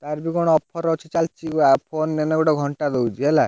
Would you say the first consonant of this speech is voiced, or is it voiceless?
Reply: voiceless